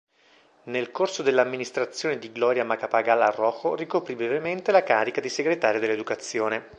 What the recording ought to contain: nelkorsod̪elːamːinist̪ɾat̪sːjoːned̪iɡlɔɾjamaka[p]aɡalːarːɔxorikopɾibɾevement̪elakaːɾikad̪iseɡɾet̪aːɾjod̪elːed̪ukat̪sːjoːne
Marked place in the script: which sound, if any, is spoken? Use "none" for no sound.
p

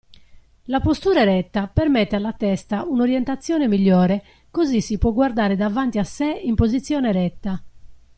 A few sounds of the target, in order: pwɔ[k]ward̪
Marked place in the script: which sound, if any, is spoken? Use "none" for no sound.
ɡ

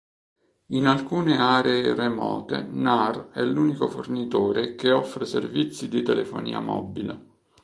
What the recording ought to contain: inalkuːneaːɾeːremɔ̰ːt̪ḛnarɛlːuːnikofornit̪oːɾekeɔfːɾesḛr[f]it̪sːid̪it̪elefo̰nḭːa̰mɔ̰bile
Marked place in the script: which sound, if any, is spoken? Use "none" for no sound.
v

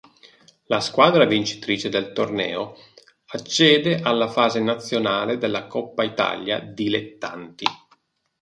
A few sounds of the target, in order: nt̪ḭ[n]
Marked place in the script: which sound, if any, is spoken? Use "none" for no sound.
none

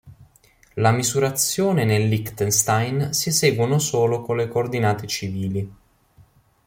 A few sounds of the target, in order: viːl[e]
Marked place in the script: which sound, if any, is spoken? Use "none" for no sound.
i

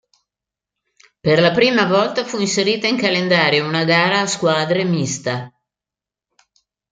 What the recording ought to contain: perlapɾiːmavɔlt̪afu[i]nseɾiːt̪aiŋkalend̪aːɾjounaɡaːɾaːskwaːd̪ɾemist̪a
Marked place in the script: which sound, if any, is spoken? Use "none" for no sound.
i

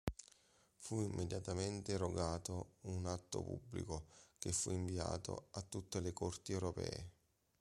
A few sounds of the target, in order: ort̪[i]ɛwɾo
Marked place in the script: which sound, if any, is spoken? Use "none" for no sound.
i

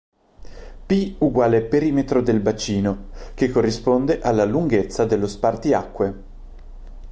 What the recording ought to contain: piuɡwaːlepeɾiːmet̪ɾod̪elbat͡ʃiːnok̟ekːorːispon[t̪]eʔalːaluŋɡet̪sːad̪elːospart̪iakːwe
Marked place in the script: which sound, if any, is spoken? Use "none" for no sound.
d̪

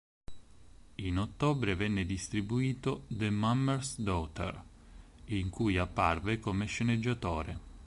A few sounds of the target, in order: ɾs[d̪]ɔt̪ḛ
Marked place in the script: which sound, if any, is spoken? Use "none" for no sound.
d̪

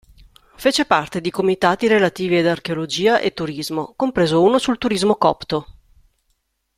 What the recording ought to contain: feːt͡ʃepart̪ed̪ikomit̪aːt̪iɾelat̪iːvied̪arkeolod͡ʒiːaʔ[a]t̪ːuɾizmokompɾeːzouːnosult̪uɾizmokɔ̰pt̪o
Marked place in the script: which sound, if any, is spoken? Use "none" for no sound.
e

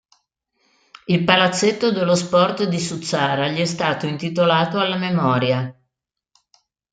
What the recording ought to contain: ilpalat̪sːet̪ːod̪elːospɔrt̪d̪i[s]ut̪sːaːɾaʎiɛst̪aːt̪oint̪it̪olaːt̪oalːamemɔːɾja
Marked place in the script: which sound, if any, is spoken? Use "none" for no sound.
s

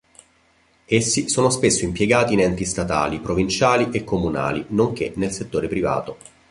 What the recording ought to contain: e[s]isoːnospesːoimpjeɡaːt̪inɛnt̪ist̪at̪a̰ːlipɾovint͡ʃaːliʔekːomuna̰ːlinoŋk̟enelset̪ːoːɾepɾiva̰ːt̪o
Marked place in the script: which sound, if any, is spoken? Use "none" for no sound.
sː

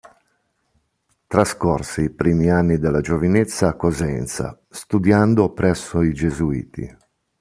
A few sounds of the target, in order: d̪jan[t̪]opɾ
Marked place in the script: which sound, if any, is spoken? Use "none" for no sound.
d̪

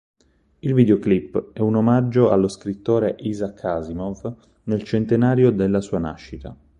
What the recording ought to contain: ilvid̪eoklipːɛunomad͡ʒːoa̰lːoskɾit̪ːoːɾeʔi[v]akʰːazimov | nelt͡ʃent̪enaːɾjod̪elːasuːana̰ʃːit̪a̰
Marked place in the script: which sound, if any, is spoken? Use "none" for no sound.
z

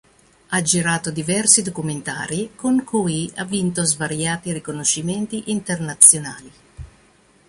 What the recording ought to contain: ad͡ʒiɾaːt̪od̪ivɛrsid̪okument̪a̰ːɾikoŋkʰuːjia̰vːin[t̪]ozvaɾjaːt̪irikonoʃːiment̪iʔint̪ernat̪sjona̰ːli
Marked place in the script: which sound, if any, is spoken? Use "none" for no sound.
t̪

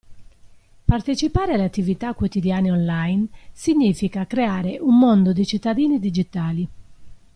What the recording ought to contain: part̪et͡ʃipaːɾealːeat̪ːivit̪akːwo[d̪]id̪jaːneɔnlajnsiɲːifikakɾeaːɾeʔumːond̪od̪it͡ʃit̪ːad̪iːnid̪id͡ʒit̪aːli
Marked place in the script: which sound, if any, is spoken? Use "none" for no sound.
t̪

